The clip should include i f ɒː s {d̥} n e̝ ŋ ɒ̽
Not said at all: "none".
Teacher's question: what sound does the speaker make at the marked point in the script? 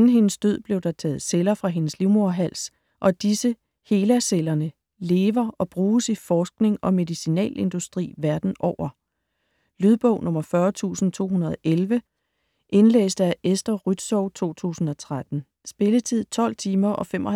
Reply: ɡ̥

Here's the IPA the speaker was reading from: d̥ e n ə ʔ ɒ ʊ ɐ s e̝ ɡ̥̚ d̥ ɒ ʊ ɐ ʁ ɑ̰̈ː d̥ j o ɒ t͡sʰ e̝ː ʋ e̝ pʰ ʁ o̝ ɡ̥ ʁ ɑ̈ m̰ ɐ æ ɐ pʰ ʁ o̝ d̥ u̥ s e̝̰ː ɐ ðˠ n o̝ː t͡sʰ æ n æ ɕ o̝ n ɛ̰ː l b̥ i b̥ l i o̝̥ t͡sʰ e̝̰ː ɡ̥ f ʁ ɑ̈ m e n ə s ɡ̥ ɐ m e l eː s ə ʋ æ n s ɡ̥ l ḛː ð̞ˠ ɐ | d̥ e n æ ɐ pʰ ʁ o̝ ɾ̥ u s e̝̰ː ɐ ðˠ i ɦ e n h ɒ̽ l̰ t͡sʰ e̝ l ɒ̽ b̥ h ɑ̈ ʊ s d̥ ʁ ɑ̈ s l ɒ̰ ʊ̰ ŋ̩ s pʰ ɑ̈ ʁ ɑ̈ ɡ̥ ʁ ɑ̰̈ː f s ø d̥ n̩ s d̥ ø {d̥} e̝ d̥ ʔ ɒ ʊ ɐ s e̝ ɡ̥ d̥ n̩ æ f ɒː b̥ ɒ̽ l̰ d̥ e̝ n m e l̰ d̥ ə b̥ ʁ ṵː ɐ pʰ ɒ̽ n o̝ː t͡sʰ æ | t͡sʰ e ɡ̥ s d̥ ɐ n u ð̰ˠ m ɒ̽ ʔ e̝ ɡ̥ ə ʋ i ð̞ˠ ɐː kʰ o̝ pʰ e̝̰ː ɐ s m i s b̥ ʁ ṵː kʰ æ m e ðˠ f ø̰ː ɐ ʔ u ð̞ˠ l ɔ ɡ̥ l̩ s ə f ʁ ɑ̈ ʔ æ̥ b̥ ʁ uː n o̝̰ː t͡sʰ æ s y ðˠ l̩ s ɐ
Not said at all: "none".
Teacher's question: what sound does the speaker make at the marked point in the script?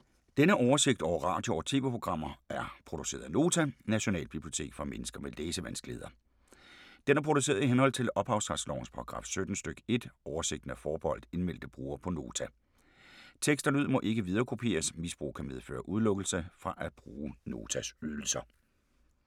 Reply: ɡ̥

